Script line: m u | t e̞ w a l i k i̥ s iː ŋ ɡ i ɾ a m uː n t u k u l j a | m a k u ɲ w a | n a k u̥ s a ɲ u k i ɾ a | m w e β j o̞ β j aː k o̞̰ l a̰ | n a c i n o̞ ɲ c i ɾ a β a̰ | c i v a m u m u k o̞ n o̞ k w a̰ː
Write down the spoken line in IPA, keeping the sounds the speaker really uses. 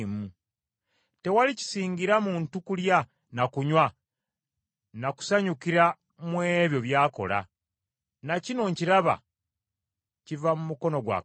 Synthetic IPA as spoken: m u | t e̞ w a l i c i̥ s iː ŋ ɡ i ɾ a m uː n t u k u l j a | n a k u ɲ w a | n a k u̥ s a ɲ u k i ɾ a | m w e β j o̞ β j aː k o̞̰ l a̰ | n a c i n o̞ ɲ c i ɾ a β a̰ | c i v a m u m u k o̞ n o̞ ɡ w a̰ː